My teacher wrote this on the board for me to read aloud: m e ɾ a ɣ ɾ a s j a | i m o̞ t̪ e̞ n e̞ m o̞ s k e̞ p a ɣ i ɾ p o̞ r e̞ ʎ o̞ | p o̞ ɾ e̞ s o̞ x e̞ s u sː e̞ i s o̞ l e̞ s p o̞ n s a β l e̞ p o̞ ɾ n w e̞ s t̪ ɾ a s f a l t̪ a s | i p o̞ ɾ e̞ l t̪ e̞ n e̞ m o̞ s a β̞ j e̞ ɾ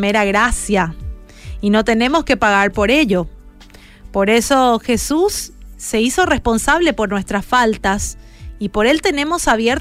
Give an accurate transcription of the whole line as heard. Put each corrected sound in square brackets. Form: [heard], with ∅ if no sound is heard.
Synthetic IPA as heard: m e ɾ a ɣ ɾ a s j a | i [n] o̞ t̪ e̞ n e̞ m o̞ s k e̞ p a ɣ [a] ɾ p o̞ [ɾ] e̞ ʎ o̞ | p o̞ ɾ e̞ s o̞ x e̞ s u sː e̞ i s o̞ [r] e̞ s p o̞ n s a β l e̞ p o̞ ɾ n w e̞ s t̪ ɾ a s f a l t̪ a s | i p o̞ ɾ e̞ l t̪ e̞ n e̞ m o̞ s a β̞ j e̞ ɾ